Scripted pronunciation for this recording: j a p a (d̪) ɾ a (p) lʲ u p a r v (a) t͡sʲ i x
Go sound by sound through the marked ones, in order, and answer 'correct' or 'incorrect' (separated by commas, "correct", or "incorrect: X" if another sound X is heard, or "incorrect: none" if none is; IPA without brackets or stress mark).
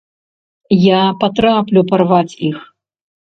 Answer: incorrect: t̪, correct, correct